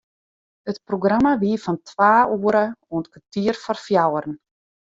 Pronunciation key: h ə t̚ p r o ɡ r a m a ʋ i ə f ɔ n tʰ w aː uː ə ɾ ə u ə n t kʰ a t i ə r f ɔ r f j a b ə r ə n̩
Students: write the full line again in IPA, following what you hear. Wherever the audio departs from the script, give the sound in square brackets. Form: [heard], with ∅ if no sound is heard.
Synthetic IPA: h ə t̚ p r o ɡ r a m a ʋ i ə f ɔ n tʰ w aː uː ə ɾ ə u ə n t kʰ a t i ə r f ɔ r f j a [w] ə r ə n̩